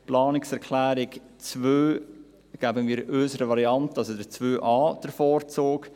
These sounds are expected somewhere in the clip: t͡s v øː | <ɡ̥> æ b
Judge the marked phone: correct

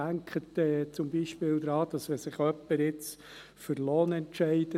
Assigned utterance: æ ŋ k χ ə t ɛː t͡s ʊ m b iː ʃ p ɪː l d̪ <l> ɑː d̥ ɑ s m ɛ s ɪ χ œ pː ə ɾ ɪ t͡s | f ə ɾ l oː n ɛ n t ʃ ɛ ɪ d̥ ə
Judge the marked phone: incorrect: ɾ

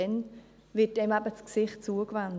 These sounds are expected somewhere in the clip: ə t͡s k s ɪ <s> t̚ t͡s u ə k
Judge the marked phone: incorrect: χ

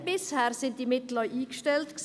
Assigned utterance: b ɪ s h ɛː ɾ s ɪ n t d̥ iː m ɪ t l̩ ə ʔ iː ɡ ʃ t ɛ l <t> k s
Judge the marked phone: correct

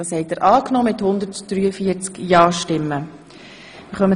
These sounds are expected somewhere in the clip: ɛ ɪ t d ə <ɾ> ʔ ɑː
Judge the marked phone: correct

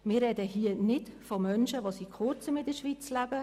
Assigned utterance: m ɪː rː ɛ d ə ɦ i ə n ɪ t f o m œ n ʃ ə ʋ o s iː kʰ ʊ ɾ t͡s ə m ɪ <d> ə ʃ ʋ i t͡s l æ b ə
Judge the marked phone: correct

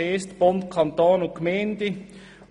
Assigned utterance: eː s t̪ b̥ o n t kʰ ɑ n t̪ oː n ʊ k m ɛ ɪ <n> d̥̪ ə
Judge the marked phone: correct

